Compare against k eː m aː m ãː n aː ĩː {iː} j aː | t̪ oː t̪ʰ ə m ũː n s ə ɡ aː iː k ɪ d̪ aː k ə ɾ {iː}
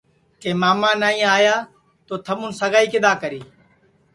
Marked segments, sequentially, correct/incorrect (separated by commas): incorrect, correct